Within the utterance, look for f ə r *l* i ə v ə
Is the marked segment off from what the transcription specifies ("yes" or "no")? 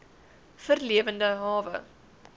no